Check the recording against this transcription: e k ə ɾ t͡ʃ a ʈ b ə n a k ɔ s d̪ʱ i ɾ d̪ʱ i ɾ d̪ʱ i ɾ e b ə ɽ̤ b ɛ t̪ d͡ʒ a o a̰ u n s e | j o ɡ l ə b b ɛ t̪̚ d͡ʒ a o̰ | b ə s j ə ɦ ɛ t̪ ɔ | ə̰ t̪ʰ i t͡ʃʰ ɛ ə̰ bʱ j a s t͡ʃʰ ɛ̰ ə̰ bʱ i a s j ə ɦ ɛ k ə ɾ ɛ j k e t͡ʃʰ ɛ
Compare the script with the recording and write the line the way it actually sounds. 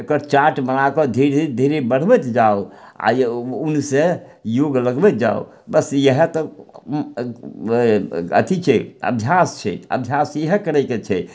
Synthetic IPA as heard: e k ə ɾ t͡ʃ a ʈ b ə n a k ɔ d̪ʱ i ɾ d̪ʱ i ɾ d̪ʱ i ɾ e b ə ɽ̤ b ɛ t̪ d͡ʒ a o a̰ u n s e | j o ɡ l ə ɡ b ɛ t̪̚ d͡ʒ a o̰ | b ə s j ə ɦ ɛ t̪ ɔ | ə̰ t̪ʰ i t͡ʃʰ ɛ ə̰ bʱ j a s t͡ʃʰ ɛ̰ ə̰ bʱ j a s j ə ɦ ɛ k ə ɾ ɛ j k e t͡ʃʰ ɛ